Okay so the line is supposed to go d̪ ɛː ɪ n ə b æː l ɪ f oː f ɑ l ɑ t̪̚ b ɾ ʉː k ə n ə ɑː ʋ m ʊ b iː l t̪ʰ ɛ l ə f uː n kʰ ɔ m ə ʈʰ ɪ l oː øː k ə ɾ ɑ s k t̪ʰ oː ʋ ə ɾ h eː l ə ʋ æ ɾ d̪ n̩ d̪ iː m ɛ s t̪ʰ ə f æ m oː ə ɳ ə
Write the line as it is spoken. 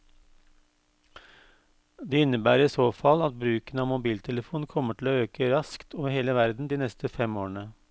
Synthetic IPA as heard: d̪ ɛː ɪ n ə b æː ɾ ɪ s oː f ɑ l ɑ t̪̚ b ɾ ʉː k ə n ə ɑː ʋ m ʊ b iː l t̪ʰ ɛ l ə f uː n kʰ ɔ m ə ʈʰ ɪ l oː øː k ə ɾ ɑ s k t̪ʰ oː ʋ ə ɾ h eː l ə ʋ æ ɾ d̪ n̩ d̪ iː n ɛ s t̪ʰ ə f ɛ m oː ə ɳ ə